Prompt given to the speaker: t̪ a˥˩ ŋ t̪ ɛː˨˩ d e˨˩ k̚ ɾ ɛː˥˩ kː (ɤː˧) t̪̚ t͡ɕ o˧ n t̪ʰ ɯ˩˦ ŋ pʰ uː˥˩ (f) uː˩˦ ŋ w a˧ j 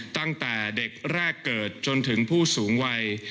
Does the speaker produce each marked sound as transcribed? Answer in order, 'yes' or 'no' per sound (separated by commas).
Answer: no, no